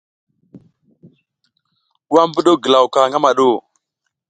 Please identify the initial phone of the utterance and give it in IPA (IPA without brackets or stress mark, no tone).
w